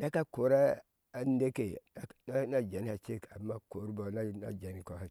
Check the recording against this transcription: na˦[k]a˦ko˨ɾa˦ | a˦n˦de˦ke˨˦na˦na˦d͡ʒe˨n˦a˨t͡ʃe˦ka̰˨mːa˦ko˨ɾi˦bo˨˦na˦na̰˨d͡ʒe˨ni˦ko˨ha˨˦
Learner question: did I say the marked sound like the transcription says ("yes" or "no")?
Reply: yes